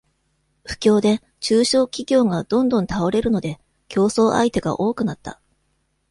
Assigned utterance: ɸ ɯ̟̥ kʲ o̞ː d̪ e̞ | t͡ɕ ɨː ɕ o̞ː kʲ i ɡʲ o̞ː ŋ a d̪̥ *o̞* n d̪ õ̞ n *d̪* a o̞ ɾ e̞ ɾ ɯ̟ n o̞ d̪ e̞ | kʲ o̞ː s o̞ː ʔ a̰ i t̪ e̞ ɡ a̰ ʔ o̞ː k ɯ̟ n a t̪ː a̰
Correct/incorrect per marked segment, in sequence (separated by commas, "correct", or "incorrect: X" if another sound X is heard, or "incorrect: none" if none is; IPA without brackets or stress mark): incorrect: õ̞, incorrect: t̪